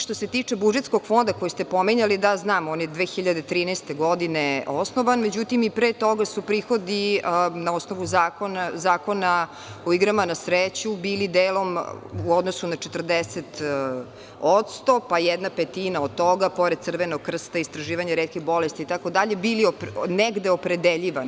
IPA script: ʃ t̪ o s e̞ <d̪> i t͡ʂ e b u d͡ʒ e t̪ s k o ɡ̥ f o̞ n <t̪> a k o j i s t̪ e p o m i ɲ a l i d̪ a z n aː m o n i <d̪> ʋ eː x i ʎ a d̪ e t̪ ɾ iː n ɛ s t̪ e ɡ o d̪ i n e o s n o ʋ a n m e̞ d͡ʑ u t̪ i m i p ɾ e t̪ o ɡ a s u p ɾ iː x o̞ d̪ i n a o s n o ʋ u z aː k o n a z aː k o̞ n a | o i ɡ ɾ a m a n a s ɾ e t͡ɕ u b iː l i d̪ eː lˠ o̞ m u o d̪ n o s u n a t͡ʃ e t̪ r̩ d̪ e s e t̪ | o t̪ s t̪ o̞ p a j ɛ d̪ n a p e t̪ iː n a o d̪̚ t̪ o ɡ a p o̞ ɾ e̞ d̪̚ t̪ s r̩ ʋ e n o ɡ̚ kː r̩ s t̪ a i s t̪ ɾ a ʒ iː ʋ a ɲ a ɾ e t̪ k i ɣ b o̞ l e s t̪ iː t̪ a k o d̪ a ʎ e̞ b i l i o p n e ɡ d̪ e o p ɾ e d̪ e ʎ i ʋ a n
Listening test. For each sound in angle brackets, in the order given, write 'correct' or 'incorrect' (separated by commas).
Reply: incorrect, incorrect, correct